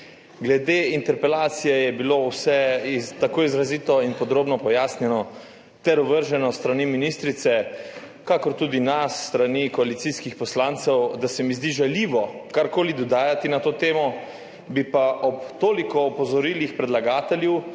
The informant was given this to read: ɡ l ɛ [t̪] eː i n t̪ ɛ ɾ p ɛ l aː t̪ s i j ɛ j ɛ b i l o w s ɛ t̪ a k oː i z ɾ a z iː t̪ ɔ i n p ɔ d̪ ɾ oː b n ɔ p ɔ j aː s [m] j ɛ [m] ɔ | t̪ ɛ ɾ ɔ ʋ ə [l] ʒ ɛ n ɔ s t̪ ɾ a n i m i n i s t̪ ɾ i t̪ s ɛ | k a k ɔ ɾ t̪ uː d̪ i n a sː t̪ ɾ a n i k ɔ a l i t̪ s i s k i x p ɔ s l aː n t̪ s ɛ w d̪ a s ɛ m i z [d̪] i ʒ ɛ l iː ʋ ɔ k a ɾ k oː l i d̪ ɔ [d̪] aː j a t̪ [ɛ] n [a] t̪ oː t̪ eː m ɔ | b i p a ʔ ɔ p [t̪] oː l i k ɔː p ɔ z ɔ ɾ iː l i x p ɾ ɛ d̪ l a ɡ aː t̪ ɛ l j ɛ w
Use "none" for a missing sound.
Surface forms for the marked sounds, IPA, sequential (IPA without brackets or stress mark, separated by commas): d̪, n, n, ɾ, d̪, d̪, i, a, t̪